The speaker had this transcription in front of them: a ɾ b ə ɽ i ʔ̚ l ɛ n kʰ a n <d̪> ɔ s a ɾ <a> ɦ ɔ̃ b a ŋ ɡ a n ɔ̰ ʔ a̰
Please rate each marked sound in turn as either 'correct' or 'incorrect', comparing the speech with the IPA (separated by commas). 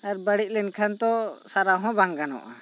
incorrect, correct